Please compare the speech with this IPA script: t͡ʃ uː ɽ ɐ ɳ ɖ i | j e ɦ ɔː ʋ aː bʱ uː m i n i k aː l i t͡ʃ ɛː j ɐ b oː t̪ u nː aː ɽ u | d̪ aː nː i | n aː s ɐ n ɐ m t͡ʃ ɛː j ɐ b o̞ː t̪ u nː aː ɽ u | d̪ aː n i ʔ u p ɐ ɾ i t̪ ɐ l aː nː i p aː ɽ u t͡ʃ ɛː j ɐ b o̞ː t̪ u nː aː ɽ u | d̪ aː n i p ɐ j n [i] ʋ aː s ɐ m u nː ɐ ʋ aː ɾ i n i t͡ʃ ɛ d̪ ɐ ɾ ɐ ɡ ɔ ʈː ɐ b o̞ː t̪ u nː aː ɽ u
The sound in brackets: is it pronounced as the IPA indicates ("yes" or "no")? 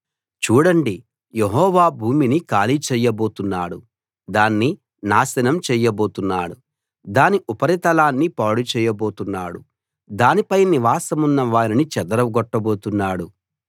yes